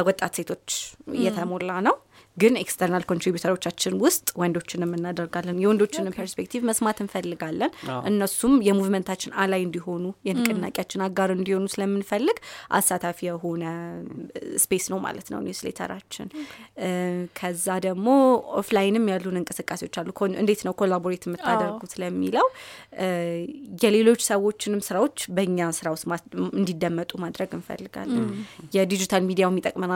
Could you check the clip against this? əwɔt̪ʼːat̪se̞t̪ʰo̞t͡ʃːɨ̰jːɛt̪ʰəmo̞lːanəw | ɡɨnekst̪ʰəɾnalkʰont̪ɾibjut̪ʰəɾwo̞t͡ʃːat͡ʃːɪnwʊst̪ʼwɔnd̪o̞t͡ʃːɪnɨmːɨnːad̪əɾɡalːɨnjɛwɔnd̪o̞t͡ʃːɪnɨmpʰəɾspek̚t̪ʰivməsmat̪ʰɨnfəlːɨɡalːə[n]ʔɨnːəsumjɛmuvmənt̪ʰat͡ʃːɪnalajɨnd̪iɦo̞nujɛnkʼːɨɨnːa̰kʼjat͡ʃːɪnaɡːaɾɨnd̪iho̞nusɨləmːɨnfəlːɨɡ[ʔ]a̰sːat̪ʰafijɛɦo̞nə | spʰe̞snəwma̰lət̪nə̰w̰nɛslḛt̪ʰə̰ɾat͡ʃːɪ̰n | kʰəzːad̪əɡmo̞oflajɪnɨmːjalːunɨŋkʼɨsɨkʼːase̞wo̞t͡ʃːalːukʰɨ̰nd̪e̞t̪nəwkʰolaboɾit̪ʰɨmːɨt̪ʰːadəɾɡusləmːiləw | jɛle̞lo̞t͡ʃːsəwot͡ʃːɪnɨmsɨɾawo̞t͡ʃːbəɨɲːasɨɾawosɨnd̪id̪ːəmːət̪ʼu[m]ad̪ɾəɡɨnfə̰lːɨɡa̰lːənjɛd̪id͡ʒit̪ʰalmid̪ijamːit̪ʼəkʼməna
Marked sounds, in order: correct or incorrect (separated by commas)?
correct, correct, correct